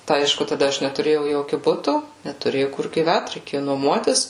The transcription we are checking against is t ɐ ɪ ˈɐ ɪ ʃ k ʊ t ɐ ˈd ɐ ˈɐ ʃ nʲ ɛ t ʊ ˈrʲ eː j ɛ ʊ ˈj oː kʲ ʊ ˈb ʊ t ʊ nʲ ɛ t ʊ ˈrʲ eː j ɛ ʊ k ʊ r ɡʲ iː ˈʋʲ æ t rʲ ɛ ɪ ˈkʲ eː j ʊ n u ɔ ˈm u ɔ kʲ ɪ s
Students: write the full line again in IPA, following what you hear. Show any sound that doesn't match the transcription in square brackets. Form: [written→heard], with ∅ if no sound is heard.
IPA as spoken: t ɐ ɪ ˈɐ ɪ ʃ k ʊ t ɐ ˈd ɐ ˈɐ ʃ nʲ ɛ t ʊ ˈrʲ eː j ɛ ʊ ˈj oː kʲ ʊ ˈb ʊ t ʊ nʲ ɛ t ʊ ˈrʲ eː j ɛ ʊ k ʊ r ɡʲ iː ˈʋʲ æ t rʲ ɛ ɪ ˈkʲ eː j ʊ n u ɔ ˈm u ɔ [kʲ→tʲ] ɪ s